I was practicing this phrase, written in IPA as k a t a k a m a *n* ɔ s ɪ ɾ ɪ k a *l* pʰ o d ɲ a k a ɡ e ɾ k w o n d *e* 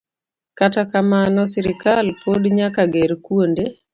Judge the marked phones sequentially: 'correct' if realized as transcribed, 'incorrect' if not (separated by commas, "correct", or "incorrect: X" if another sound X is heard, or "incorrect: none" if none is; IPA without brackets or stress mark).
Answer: correct, correct, correct